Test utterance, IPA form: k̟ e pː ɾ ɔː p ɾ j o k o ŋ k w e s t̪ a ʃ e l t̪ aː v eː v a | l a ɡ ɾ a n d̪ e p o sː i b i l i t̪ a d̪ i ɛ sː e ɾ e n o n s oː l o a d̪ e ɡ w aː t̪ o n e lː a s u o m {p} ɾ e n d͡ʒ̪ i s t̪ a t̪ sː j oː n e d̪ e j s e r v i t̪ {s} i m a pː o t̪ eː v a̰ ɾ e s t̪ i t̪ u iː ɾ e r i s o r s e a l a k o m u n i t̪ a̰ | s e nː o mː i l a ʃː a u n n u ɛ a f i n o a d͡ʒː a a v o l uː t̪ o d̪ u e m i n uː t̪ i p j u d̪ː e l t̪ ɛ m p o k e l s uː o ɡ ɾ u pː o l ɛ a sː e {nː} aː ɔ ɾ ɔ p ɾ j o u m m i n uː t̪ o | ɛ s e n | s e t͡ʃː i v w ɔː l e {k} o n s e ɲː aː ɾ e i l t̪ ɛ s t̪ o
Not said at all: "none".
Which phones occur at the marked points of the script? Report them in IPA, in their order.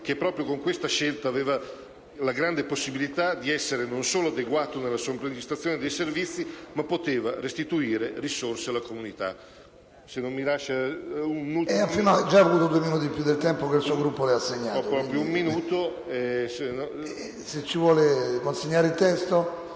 p, sː, ɲː, k

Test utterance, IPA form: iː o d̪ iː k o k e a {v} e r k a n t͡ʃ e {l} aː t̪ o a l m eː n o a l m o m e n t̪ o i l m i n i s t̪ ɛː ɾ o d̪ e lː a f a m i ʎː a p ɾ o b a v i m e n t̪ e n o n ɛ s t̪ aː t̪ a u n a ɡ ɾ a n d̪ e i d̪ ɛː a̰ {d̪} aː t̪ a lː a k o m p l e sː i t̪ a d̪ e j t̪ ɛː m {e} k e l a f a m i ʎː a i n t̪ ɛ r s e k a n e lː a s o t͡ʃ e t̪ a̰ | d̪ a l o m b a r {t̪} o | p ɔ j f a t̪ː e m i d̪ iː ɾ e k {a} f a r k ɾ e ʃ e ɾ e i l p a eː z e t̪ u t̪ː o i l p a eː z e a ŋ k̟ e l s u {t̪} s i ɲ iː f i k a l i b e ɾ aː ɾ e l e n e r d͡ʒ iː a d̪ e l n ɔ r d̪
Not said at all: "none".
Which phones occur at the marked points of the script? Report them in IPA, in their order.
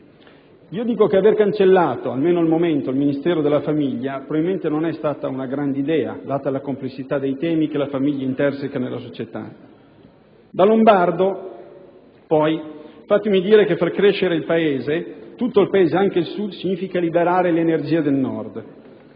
v, lː, d̪, i, d̪, e, d̪

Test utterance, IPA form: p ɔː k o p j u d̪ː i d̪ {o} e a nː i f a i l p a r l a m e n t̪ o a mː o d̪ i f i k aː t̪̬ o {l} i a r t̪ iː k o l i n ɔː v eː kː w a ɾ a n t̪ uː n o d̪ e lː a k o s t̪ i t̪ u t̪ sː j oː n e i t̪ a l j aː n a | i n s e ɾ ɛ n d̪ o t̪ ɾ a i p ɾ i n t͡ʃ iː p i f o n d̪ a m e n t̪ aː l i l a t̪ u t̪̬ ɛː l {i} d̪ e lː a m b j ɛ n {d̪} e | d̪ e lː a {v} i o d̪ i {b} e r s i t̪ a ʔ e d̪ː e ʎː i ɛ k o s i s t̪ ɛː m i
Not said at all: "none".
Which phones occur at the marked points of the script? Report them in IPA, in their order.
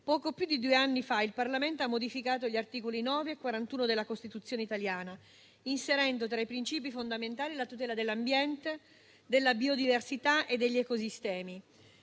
u, ʎ, a, t̪, b, v

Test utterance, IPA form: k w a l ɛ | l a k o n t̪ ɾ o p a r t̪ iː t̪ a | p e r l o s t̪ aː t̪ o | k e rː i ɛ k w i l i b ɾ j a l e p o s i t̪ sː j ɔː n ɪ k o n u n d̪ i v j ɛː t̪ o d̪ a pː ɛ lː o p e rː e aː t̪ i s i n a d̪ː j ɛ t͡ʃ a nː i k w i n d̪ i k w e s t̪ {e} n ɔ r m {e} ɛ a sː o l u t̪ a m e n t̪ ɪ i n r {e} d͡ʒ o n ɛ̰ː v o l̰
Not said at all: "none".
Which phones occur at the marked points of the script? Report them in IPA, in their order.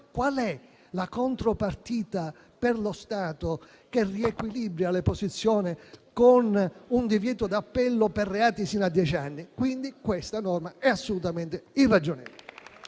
a, a, a

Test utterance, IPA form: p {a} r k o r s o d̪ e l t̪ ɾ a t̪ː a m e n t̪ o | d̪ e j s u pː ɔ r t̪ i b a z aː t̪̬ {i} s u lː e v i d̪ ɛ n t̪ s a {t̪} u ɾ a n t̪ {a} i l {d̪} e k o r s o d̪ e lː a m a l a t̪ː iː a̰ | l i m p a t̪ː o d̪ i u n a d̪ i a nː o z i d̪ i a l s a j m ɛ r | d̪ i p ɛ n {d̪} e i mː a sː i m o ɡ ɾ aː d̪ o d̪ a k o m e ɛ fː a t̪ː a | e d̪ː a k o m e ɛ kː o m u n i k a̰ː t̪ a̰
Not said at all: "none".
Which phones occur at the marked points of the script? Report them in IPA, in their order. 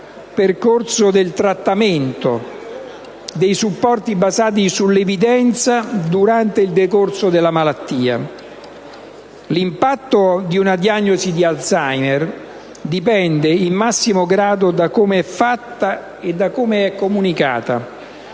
e, i, d̪, e, d̪, d̪

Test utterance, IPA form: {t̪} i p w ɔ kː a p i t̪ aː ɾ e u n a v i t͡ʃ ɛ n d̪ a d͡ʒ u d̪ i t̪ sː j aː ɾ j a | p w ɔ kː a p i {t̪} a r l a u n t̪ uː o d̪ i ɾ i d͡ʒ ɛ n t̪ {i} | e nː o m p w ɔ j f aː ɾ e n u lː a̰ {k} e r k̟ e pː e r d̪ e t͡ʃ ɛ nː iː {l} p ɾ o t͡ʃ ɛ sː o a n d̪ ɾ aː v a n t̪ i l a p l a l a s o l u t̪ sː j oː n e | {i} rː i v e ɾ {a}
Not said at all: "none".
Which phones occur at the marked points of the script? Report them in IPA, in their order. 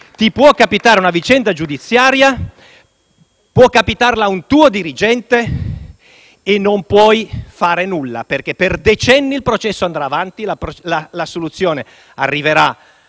t̪, t̪, e, p, l, a, a

